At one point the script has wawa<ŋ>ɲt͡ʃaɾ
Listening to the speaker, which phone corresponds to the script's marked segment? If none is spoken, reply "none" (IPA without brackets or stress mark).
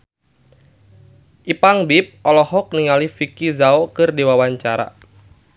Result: none